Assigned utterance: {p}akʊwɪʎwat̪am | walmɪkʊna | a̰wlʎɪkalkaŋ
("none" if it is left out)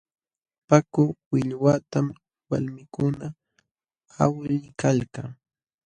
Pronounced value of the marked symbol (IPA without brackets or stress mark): p